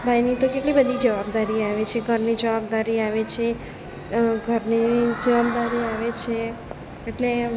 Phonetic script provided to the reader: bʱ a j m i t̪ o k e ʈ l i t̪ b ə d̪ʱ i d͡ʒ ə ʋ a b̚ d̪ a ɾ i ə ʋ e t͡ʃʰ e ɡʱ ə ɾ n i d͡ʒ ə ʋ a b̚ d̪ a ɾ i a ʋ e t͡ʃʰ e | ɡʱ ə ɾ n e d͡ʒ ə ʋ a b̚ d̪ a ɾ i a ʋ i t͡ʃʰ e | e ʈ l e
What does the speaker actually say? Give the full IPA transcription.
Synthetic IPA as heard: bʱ a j n i t̪ o k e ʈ l i b ə d̪ʱ i d͡ʒ ə ʋ a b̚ d̪ a ɾ i a ʋ e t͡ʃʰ e ɡʱ ə ɾ n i d͡ʒ ə ʋ a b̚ d̪ a ɾ i a ʋ e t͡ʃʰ e | ɡʱ ə ɾ n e d͡ʒ ə ʋ a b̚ d̪ a ɾ i a ʋ e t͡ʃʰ e | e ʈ l e